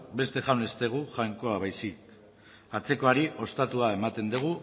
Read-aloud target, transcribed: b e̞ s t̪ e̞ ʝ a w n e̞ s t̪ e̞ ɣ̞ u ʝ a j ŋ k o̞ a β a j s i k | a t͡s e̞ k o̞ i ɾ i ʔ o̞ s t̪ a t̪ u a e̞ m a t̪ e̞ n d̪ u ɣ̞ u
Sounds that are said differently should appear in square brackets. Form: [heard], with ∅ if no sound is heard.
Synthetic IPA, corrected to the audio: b e̞ s t̪ e̞ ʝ a w n e̞ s t̪ e̞ ɣ̞ u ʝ a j ŋ k o̞ a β a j s i k | a t͡s e̞ k o̞ [a] ɾ i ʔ o̞ s t̪ a t̪ u a e̞ m a t̪ e̞ n d̪ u ɣ̞ u